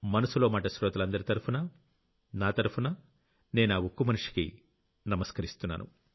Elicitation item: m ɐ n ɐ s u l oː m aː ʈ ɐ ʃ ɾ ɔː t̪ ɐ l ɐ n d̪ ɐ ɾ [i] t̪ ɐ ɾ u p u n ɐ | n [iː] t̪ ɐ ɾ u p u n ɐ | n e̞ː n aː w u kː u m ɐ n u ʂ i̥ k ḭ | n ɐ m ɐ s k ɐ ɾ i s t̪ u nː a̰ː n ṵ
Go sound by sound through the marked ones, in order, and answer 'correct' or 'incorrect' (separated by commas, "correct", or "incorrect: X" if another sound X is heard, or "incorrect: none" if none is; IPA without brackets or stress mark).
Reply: correct, incorrect: aː